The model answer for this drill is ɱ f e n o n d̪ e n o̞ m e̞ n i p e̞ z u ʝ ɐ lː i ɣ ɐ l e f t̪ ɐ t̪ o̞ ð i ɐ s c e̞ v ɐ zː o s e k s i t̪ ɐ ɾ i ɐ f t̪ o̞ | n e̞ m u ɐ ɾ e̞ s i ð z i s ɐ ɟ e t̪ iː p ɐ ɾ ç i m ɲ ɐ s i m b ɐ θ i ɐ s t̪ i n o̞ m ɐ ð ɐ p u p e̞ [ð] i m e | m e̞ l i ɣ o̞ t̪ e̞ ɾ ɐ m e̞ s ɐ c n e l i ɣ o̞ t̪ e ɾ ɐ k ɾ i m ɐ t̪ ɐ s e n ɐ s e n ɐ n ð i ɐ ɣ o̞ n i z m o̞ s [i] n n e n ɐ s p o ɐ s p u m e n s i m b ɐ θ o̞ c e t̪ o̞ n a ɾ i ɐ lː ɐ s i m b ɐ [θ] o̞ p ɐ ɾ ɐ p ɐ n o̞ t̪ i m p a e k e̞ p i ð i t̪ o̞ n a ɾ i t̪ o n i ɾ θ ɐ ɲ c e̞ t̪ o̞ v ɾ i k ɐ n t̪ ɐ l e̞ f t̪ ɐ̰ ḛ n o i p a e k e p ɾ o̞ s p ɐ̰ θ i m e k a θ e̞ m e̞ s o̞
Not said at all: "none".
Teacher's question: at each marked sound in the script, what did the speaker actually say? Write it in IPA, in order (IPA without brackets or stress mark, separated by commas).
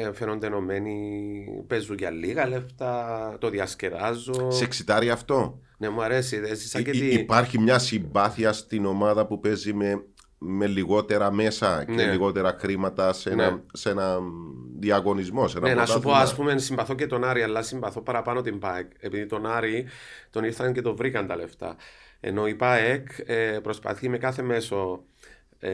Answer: z, e, θ